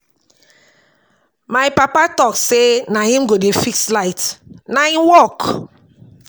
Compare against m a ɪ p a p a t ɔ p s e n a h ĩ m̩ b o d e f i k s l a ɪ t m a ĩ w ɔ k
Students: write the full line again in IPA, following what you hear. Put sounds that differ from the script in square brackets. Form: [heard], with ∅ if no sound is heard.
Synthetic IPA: m a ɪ p a p a t ɔ [k] s e n a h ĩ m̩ [ɡ] o d e f i k s l a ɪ t [n] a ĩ w ɔ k